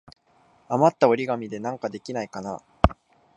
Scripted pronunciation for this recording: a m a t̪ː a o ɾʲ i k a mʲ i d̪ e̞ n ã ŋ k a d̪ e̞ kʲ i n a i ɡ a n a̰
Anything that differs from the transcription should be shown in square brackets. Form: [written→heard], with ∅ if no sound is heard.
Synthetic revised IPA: a m a t̪ː a o ɾʲ i [k→ɡ] a mʲ i d̪ e̞ n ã ŋ k a d̪ e̞ kʲ i n a i [ɡ→k] a n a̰